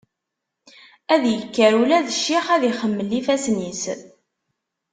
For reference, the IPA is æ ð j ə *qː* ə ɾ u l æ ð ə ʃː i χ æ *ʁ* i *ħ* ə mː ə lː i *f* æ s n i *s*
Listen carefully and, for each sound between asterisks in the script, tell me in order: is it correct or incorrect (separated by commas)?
incorrect, incorrect, incorrect, correct, correct